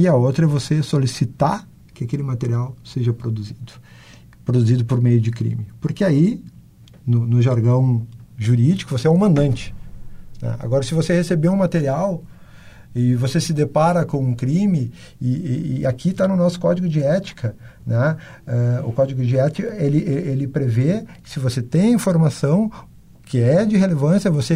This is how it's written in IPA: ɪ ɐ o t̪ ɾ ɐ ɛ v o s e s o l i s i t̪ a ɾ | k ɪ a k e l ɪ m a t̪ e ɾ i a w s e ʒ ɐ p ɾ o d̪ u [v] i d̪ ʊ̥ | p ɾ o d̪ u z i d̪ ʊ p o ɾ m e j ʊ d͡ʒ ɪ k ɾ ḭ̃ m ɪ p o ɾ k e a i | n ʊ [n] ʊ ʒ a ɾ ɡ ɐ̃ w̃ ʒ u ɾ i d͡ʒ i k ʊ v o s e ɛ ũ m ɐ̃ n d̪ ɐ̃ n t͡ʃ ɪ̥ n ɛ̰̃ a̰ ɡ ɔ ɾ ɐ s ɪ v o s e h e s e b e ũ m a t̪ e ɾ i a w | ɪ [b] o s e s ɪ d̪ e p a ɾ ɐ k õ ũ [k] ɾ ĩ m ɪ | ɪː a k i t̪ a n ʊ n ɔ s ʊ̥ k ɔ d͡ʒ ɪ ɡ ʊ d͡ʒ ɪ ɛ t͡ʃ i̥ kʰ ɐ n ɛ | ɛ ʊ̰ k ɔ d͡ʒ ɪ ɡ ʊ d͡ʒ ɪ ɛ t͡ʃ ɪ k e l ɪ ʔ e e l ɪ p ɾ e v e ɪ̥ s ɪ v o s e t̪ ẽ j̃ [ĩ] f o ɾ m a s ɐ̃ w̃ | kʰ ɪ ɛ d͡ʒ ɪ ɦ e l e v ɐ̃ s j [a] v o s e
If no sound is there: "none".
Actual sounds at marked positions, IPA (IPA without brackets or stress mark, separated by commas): z, n, v, k, ĩ, ɐ